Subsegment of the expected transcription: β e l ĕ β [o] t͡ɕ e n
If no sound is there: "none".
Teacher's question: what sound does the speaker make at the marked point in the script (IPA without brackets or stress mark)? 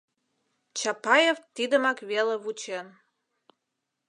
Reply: u